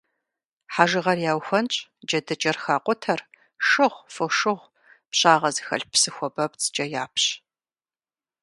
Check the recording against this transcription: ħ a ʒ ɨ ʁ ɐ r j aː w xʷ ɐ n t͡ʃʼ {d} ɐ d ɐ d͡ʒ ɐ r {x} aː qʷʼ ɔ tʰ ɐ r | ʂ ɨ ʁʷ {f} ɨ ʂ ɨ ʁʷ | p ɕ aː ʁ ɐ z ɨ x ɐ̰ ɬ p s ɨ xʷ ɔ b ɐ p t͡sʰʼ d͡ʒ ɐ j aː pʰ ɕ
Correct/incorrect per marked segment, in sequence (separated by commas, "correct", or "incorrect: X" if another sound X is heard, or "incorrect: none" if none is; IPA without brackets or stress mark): incorrect: d͡ʒ, correct, correct